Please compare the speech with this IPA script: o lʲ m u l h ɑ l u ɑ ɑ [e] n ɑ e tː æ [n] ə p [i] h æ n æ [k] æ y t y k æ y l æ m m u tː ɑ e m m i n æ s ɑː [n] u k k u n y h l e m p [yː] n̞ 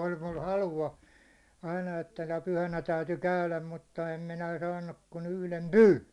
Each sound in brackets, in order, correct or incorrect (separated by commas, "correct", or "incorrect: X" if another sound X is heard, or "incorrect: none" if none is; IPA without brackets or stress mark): incorrect: i, correct, incorrect: y, incorrect: t, incorrect: nː, correct